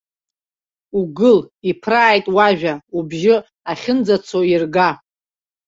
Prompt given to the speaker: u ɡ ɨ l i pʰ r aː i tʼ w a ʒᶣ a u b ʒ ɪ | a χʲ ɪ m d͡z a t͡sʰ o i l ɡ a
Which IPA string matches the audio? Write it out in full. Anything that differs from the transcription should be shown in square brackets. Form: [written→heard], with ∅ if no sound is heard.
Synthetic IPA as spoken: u ɡ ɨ l i pʰ r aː [i→j] tʼ w a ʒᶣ a u b ʒ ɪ | a χʲ ɪ [m→n] d͡z a t͡sʰ o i [l→r] ɡ a